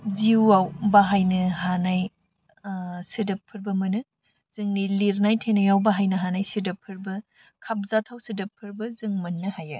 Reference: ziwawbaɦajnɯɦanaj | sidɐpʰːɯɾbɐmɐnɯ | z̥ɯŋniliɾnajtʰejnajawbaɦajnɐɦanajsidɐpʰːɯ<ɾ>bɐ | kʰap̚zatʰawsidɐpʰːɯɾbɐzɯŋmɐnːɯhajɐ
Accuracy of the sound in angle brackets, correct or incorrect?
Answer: correct